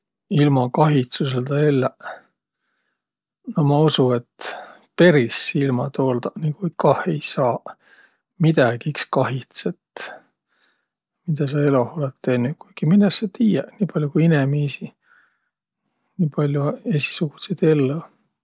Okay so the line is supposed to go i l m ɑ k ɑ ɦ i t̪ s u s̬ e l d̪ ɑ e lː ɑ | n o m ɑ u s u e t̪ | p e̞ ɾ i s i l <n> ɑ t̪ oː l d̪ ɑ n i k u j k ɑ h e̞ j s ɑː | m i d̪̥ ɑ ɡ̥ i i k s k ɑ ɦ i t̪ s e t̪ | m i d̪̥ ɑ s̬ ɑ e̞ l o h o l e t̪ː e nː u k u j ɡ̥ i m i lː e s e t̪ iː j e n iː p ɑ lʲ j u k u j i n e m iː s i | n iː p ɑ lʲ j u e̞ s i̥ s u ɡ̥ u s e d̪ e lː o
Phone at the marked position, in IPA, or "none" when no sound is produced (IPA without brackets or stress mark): m